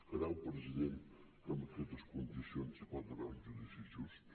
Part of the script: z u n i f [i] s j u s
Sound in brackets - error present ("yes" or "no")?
no